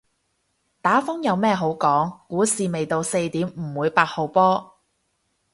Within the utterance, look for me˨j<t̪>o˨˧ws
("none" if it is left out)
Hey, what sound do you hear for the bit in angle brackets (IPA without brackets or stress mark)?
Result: t̪